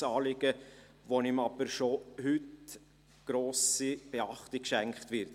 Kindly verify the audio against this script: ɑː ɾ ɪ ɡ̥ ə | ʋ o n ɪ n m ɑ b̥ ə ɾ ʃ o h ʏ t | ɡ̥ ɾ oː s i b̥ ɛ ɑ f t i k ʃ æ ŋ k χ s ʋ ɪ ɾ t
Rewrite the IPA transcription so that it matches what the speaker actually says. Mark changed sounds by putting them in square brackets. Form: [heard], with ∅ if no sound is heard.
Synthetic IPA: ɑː [l] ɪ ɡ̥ ə | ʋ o n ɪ [∅] m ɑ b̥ ə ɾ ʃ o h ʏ t | ɡ̥ ɾ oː s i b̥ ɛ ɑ [χ] t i k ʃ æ ŋ k χ [t] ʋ ɪ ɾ t